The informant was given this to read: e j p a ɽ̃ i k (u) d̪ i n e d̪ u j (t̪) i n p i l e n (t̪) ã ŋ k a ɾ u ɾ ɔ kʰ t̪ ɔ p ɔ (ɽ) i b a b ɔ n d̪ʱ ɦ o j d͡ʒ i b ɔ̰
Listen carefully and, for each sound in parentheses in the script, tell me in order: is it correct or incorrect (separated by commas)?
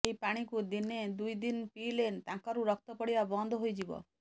correct, incorrect, correct, correct